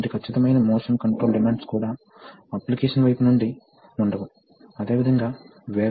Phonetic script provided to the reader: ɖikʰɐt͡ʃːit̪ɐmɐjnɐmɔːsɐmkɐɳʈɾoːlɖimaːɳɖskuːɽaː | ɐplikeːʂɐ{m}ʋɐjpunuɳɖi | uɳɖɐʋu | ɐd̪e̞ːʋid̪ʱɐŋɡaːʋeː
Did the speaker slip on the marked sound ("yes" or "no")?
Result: yes